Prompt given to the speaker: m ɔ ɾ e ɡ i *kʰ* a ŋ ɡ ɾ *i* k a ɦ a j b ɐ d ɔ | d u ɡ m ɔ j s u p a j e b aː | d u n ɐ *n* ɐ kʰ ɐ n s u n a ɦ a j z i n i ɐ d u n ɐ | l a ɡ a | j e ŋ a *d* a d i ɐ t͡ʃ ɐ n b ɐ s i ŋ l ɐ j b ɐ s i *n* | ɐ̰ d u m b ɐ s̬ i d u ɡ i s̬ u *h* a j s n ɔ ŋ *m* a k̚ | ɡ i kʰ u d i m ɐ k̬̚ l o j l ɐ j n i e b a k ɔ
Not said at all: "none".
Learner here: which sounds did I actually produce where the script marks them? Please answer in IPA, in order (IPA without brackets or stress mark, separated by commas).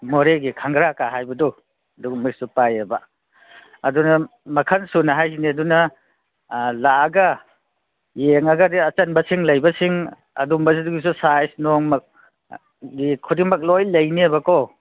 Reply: kʰ, a, m, ɡ, ŋ, s, m